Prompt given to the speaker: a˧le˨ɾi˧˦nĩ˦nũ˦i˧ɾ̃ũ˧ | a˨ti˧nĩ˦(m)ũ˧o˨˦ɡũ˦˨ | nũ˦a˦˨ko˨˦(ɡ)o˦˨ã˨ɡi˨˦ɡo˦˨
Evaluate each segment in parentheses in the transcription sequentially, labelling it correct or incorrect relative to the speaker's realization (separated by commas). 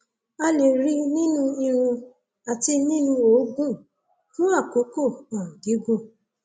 incorrect, incorrect